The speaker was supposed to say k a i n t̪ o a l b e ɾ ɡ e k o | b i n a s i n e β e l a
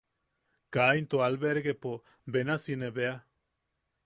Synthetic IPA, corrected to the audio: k a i n t̪ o a l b e ɾ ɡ e p o | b e n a s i n e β e a